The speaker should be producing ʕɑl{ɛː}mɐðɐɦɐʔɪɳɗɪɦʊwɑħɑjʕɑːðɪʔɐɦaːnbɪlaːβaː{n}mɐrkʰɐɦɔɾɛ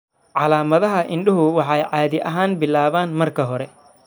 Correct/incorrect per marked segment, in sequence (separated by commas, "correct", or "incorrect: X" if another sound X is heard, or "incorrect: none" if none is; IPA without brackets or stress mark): incorrect: aː, correct